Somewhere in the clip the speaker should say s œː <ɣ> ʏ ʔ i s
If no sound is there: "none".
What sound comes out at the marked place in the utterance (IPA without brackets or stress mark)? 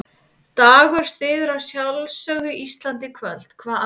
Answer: ɣ